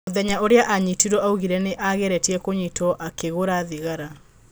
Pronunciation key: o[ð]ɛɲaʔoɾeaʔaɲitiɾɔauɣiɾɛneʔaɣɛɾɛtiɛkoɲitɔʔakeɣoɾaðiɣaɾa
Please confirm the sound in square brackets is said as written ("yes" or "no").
yes